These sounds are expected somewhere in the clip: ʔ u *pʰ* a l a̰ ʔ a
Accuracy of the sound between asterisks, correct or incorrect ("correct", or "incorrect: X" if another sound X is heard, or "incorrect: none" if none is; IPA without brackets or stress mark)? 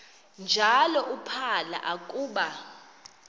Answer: correct